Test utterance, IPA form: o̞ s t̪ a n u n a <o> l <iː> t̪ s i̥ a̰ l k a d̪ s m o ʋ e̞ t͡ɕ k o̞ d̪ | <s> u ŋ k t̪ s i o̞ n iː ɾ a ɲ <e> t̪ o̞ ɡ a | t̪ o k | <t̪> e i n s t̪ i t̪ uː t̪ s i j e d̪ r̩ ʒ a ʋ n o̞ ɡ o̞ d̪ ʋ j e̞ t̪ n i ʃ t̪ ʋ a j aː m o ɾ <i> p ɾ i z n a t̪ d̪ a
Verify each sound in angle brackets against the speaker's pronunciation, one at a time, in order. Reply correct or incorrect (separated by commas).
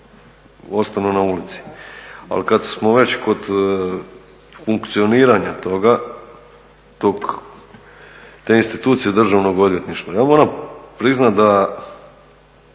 incorrect, incorrect, incorrect, incorrect, correct, incorrect